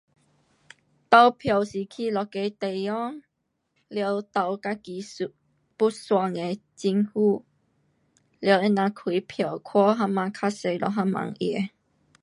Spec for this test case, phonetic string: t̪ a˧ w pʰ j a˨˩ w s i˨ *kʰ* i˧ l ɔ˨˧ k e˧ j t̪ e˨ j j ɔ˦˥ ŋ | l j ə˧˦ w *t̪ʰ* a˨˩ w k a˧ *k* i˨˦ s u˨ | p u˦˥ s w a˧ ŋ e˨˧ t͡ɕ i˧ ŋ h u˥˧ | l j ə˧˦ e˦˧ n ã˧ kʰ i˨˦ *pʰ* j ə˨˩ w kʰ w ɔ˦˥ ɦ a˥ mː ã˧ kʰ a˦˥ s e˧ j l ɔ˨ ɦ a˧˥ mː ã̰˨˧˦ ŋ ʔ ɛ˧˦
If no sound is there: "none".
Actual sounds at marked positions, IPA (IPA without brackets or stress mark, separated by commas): kʰ, t̪, k, pʰ